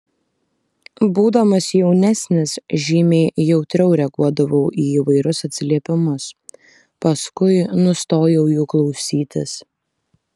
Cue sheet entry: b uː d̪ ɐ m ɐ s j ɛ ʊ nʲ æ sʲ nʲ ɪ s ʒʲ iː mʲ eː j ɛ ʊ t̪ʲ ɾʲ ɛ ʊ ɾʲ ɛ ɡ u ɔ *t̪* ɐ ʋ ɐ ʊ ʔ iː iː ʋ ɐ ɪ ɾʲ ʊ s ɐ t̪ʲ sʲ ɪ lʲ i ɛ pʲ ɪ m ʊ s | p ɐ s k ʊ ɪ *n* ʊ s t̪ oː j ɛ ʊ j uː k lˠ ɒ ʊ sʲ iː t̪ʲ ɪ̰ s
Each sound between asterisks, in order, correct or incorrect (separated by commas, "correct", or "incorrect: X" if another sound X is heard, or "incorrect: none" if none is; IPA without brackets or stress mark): incorrect: d̪, correct